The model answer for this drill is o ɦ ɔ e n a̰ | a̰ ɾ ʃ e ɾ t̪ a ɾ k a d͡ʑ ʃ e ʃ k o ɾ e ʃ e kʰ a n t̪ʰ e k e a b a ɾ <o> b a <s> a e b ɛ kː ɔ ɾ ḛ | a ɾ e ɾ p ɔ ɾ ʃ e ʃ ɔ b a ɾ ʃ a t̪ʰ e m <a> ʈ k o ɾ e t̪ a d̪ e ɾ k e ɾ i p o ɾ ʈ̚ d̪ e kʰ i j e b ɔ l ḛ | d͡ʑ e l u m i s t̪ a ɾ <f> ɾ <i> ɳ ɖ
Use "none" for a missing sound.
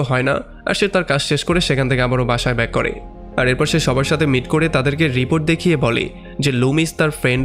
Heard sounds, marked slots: o, ʃ, i, f, e

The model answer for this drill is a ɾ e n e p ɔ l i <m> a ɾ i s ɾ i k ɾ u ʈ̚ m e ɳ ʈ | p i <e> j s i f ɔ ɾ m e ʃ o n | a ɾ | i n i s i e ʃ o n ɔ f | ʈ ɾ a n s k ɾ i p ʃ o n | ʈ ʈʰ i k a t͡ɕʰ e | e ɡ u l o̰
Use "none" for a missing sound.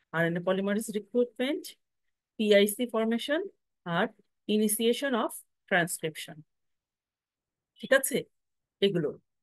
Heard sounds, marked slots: m, a

